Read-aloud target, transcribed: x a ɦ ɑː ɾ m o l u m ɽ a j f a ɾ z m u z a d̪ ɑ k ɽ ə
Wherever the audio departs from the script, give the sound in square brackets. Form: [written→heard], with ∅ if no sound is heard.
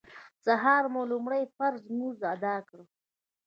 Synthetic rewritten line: [x→s] a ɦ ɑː ɾ m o l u m ɽ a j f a ɾ z m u z a d̪ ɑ k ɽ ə